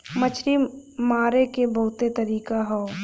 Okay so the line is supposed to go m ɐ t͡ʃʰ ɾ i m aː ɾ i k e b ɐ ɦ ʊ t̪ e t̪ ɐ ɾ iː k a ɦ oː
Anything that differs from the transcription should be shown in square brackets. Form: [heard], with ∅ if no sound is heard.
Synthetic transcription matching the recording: m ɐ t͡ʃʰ ɾ i m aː ɾ [e] k e b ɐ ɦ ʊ t̪ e t̪ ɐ ɾ iː k a ɦ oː